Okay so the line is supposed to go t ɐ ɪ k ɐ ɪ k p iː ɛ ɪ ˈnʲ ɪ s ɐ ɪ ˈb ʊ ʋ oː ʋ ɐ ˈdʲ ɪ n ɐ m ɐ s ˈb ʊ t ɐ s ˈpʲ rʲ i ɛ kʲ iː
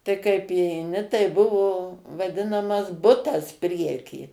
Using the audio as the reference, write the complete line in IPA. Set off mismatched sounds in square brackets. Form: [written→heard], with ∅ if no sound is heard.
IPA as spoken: t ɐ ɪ k ɐ ɪ [k→∅] p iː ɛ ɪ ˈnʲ ɪ [s→t] ɐ ɪ ˈb ʊ ʋ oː ʋ ɐ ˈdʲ ɪ n ɐ m ɐ s ˈb ʊ t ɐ s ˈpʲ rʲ i ɛ kʲ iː

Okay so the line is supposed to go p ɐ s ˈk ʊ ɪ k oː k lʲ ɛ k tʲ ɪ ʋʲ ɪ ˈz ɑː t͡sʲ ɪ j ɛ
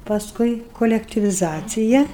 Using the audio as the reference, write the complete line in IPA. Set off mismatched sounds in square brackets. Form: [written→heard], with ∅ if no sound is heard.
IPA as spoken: p ɐ s ˈk ʊ ɪ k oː [k→∅] lʲ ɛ k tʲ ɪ ʋʲ ɪ ˈz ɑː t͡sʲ ɪ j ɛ

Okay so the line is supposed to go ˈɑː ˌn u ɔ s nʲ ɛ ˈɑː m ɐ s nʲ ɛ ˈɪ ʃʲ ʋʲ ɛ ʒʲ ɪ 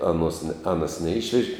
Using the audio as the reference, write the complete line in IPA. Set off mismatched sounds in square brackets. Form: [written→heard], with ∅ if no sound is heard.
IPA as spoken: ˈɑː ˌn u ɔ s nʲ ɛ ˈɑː [m→n] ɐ s nʲ ɛ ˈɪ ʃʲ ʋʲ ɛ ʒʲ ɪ

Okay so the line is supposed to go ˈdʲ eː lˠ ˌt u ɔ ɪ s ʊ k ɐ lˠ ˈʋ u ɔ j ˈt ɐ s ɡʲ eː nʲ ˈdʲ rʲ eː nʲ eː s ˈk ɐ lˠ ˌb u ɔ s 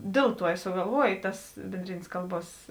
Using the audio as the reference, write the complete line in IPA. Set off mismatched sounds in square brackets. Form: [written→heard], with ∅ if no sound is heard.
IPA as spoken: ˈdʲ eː lˠ ˌt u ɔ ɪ s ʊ [k→ɡ] ɐ lˠ ˈʋ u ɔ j ˈt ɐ s [ɡʲ→bʲ] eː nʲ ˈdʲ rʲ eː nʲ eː s ˈk ɐ lˠ ˌb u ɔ s

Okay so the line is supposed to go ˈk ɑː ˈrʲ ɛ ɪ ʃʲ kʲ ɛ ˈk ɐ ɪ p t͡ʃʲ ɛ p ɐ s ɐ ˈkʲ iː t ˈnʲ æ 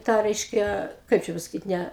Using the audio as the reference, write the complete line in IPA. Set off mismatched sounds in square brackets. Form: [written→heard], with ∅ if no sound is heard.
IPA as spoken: [ˈk→ˈt] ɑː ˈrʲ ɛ ɪ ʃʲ kʲ ɛ ˈk ɐ ɪ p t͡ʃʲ ɛ p ɐ s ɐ ˈkʲ iː t ˈnʲ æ

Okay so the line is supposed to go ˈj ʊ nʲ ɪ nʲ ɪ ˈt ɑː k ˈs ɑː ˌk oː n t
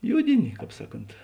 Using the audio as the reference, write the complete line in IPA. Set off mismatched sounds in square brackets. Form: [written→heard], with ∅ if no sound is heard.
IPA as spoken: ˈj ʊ [nʲ→dʲ] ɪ nʲ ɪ [ˈt→ˈk] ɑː [k→p] ˈs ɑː ˌk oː n t

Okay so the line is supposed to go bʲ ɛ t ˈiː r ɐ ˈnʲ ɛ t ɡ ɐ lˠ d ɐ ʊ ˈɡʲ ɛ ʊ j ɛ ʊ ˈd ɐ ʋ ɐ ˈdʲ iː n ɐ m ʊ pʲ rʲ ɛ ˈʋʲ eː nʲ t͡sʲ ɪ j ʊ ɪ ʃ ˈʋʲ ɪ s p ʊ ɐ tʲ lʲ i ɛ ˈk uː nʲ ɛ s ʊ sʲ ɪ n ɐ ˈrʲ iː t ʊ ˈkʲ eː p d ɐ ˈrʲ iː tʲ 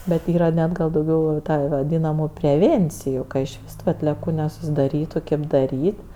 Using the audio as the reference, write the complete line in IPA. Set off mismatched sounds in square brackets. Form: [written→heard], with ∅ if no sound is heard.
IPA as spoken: bʲ ɛ t ˈiː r ɐ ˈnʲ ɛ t ɡ ɐ lˠ d ɐ ʊ ˈɡʲ ɛ ʊ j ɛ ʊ [ˈd→ˈt] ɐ ʋ ɐ ˈdʲ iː n ɐ m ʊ pʲ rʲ ɛ ˈʋʲ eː nʲ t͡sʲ ɪ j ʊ ɪ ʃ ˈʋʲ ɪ s [p→t] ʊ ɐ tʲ lʲ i ɛ ˈk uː nʲ ɛ s ʊ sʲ ɪ [n→d] ɐ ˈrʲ iː t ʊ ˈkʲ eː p d ɐ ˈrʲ iː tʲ

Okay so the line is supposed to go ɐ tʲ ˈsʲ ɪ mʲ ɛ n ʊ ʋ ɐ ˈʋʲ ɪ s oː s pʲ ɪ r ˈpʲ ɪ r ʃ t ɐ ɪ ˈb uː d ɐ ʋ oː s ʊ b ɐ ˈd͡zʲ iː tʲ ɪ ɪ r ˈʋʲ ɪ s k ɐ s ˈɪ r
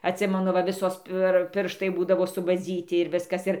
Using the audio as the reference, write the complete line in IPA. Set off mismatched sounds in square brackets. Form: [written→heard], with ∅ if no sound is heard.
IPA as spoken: ɐ tʲ ˈsʲ ɪ mʲ ɛ n ʊ ʋ ɐ ˈʋʲ ɪ s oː s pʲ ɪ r ˈpʲ ɪ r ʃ t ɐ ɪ ˈb uː d ɐ ʋ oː s ʊ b ɐ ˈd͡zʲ iː tʲ ɪ ɪ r ˈʋʲ ɪ s k ɐ s ˈɪ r

